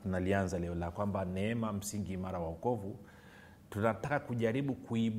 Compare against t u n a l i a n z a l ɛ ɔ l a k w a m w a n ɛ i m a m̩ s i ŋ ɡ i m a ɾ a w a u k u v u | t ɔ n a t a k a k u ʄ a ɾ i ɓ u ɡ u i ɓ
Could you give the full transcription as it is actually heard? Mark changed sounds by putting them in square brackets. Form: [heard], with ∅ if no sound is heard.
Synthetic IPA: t u n a l i a n z a l ɛ ɔ l a k w a m [b] a n ɛ [ɛ] m a m̩ s i ŋ ɡ i m a ɾ a w a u k [ɔ] v u | t [u] n a t a k a k u ʄ a ɾ i ɓ u [k] u i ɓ